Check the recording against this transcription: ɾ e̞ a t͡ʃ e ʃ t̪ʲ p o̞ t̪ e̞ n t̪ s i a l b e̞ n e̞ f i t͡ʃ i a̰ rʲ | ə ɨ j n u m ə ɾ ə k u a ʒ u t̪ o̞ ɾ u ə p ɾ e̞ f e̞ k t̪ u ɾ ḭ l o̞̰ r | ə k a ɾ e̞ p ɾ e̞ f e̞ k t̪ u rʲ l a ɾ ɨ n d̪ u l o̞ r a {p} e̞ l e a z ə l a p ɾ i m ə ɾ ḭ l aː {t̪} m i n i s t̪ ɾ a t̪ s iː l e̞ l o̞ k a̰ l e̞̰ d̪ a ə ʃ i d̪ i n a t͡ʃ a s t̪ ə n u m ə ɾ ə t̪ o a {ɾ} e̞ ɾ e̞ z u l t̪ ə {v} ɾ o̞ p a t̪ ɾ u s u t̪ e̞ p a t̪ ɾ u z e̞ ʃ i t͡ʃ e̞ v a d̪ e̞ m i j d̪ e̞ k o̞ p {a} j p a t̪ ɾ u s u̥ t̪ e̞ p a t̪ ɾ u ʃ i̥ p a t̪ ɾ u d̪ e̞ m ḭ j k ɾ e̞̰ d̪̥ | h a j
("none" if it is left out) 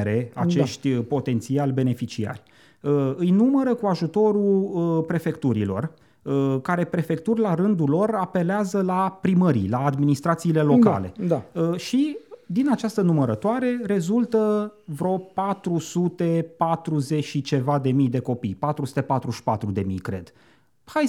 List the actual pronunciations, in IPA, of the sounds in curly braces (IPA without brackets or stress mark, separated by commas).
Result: p, d̪, ɾ, v, i